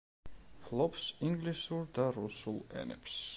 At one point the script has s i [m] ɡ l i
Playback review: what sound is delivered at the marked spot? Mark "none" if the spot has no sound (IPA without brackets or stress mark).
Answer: ŋ